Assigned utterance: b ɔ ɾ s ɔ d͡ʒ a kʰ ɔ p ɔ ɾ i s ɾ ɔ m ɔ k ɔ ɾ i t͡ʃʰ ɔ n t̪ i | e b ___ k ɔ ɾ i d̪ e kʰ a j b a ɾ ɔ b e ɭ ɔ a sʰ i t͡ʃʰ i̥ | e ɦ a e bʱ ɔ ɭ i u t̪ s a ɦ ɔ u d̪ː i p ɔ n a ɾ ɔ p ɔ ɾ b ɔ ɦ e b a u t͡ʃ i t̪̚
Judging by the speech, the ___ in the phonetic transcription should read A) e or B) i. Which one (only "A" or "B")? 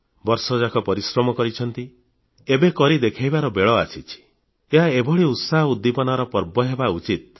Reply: A